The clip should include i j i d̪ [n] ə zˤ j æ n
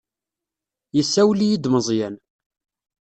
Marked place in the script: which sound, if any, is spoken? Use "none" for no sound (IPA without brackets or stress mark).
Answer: m